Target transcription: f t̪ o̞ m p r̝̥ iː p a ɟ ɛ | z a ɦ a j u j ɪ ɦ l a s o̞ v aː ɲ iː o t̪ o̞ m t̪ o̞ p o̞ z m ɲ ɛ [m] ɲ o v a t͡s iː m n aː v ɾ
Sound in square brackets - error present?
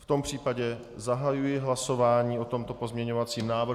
yes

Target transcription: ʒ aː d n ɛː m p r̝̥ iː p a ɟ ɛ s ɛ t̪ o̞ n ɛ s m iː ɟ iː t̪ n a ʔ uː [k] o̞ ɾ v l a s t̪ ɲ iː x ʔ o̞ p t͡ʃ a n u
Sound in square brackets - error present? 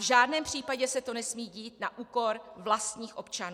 no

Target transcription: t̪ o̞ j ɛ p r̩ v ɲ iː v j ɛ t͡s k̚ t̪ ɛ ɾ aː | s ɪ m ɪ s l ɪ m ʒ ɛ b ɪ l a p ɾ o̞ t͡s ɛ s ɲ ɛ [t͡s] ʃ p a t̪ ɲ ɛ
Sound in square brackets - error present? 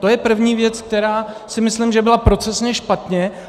yes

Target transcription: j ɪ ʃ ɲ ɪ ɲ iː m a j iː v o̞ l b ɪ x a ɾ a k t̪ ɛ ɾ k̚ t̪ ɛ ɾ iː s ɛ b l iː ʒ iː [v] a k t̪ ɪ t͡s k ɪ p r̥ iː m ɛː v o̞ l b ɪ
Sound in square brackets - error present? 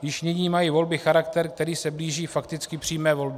yes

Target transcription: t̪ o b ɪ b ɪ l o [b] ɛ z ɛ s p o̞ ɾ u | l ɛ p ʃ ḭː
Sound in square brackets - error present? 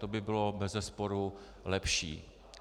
no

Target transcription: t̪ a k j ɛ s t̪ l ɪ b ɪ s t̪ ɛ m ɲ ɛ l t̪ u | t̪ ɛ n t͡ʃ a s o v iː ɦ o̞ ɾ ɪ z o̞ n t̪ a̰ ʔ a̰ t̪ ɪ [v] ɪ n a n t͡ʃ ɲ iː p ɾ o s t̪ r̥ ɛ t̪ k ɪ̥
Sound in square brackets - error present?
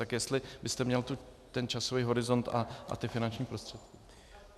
yes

